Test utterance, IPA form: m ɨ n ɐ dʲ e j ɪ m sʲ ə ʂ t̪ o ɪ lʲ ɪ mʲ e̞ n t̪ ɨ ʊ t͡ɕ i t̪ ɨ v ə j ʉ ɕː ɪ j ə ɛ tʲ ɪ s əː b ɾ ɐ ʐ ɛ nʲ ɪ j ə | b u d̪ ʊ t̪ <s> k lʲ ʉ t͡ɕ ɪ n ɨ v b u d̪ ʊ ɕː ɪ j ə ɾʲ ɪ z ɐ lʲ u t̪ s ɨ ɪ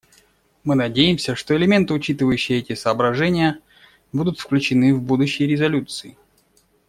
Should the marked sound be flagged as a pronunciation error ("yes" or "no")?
yes